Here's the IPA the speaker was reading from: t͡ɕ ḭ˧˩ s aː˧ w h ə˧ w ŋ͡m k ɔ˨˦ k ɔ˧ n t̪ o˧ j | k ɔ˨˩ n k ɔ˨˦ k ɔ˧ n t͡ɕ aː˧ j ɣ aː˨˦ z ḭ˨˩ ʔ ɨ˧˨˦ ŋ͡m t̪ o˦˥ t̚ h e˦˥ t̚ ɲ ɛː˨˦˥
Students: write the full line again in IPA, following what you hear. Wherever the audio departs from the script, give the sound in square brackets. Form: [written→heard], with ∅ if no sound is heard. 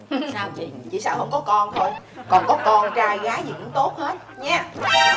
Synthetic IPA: t͡ɕ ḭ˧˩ s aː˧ w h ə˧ w ŋ͡m k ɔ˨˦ k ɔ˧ n [t̪→t̪ʰ] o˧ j | k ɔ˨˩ n k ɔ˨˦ k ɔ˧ n t͡ɕ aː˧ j ɣ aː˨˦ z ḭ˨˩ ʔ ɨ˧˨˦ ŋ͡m t̪ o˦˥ t̚ h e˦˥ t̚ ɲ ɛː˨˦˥